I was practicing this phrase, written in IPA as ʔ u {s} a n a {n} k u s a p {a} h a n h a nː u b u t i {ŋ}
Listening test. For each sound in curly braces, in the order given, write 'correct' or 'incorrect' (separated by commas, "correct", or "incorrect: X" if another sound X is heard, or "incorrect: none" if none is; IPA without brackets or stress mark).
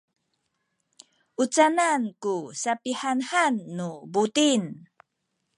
incorrect: t͡s, correct, incorrect: i, incorrect: n